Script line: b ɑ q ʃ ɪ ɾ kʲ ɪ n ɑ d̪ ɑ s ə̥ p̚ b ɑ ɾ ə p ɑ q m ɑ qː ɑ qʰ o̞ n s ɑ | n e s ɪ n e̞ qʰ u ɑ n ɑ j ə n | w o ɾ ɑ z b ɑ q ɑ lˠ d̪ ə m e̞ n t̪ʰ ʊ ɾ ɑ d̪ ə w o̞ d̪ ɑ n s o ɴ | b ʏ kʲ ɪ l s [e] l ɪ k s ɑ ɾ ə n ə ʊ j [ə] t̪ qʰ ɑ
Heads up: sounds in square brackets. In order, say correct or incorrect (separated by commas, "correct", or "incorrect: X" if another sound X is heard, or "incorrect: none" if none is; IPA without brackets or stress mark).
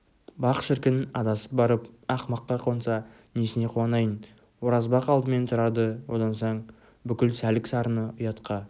incorrect: æ, incorrect: ɑ